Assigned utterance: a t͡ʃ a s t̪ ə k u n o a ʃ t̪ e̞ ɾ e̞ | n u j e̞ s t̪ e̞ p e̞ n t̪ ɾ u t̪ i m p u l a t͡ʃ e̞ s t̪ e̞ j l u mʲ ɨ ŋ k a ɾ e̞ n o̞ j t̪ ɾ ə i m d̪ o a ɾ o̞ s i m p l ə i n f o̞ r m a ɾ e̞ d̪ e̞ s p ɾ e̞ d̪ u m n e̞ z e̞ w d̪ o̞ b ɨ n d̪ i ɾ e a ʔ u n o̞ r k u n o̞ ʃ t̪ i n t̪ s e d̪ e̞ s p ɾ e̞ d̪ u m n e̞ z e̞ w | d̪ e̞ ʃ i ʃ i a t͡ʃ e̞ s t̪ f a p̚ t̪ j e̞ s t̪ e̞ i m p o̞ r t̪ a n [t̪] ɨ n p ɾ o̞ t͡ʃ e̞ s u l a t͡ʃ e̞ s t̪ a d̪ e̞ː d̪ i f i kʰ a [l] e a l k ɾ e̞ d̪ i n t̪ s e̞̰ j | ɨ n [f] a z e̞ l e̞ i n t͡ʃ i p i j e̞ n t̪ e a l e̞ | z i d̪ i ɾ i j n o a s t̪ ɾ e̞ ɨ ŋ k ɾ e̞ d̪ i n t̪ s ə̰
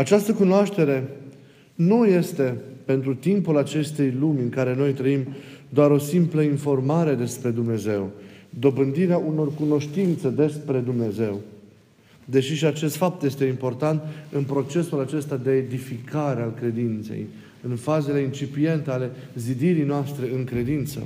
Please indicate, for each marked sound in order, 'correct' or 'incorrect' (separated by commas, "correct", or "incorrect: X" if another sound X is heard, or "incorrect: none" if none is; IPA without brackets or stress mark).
correct, incorrect: ɾ, correct